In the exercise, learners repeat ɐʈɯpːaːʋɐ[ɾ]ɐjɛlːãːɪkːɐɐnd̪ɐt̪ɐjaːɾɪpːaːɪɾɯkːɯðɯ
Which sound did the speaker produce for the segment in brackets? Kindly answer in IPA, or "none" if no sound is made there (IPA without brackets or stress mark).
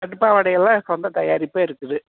ɽ